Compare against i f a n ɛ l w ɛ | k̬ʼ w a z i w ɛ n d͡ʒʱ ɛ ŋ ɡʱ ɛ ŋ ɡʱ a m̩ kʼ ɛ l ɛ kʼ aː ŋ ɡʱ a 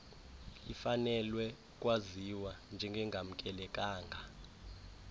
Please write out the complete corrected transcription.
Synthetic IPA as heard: i f a n ɛ l w ɛ | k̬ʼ w a z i w a n d͡ʒʱ ɛ ŋ ɡʱ ɛ ŋ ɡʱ a m̩ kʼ ɛ l ɛ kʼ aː ŋ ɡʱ a